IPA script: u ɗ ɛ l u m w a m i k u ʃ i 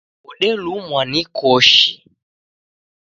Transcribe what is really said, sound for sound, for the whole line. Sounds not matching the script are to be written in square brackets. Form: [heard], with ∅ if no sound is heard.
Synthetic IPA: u ɗ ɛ l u m w a [n] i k [ɔ] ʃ i